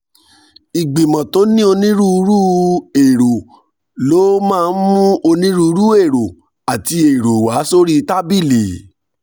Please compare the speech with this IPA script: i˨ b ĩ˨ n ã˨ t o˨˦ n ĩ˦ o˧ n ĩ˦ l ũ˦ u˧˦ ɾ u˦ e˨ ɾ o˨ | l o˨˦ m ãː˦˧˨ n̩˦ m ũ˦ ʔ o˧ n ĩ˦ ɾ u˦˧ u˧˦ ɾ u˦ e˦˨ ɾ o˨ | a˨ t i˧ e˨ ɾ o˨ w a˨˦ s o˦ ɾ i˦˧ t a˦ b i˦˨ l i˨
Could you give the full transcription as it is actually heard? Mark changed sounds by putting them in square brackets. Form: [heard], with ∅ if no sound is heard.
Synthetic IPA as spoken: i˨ [ɡ͡b] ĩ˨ [m] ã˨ t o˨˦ n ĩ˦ o˧ n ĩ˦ [ɾ] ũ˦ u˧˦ ɾ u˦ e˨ ɾ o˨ | l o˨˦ m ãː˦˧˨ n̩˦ m ũ˦ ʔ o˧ n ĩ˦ ɾ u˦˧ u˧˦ ɾ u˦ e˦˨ ɾ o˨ | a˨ t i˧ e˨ ɾ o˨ w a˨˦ s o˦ ɾ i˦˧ t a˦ b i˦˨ l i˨